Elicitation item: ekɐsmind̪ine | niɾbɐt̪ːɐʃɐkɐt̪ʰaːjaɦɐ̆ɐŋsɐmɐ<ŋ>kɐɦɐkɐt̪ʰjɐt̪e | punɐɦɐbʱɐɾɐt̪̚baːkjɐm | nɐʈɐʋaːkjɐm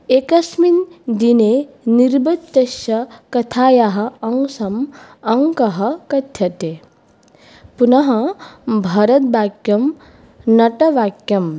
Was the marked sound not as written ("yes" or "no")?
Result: no